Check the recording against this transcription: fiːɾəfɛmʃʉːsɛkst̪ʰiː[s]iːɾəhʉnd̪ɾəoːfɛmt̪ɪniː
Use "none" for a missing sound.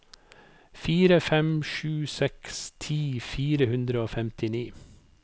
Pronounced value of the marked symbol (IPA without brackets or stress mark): f